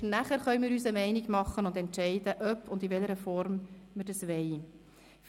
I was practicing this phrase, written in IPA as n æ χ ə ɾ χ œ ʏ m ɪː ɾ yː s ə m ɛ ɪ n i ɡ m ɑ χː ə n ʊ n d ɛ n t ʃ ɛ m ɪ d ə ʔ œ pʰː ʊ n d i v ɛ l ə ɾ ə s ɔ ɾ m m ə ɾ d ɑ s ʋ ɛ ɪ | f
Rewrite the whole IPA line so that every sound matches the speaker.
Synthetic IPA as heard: n æ χ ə ɾ χ œ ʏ m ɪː ɾ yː s ə m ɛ ɪ n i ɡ m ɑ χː ə n ʊ n d ɛ n t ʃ ɛ ɪ d ə ʔ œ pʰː ʊ n d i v ɛ l ə ɾ ə f ɔ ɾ m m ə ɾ d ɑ s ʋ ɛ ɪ | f